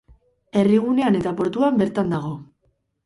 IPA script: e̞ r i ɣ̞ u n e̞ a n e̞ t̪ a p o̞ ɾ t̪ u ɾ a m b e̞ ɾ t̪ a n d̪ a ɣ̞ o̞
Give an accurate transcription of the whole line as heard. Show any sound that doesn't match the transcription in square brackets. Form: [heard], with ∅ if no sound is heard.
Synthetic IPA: e̞ r i ɣ̞ u n e̞ a n e̞ t̪ a p o̞ ɾ t̪ u [∅] a m b e̞ ɾ t̪ a n d̪ a ɣ̞ o̞